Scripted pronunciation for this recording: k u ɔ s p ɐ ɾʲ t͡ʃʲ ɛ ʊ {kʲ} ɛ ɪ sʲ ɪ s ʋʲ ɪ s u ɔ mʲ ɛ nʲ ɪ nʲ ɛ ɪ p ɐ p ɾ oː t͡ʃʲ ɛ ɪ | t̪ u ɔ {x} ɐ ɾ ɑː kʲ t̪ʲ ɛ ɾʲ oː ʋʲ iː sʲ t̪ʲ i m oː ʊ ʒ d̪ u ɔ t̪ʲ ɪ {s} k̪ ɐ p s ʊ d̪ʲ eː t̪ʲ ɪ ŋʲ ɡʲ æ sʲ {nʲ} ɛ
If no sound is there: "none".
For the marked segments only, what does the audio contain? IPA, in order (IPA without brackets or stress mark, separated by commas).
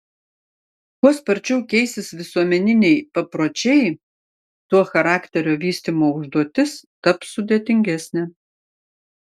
kʲ, x, s, nʲ